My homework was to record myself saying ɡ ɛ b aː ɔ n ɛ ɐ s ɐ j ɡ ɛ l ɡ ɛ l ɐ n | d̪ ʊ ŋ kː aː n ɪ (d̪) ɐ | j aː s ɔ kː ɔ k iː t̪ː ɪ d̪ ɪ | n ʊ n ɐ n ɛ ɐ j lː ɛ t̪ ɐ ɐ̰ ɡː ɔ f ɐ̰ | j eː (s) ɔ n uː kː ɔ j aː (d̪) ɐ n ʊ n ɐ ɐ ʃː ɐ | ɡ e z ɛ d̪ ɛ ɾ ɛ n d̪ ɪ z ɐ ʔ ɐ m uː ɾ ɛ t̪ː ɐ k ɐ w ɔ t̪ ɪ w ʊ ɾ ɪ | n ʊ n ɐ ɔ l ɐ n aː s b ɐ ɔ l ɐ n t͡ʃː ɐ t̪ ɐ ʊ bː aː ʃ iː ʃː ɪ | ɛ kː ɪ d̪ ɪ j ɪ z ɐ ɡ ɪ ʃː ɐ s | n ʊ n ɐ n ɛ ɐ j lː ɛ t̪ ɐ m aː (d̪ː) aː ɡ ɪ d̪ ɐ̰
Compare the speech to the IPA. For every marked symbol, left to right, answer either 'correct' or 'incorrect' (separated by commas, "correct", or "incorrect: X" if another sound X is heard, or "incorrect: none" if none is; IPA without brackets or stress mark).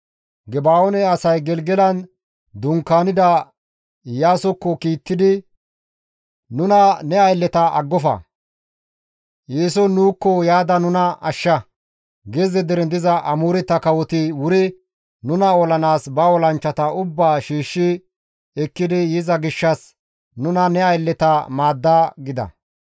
correct, correct, correct, correct